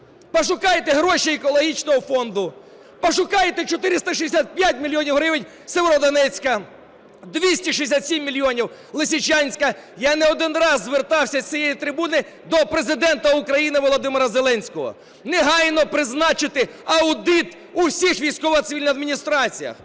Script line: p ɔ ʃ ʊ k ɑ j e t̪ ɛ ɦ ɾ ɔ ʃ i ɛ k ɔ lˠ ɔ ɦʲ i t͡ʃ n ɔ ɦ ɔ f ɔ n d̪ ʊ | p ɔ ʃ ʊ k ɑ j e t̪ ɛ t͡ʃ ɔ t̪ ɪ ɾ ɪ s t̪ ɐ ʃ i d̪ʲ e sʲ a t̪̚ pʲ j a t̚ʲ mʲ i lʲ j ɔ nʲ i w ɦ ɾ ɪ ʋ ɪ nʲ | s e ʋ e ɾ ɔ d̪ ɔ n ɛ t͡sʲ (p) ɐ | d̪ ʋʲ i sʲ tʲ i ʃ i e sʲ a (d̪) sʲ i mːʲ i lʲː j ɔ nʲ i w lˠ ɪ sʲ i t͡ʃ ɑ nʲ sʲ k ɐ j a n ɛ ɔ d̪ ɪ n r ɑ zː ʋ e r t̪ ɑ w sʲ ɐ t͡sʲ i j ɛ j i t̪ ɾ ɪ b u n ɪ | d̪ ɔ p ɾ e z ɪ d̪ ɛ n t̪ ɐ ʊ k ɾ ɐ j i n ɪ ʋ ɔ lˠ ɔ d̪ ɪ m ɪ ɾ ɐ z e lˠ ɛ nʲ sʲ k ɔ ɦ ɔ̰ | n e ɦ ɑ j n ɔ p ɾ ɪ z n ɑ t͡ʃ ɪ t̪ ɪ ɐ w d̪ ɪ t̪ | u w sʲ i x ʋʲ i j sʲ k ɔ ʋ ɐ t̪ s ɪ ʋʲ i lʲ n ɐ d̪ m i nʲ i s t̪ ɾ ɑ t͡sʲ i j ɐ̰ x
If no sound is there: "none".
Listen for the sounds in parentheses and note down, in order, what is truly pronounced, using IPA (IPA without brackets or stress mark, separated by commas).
k, t̪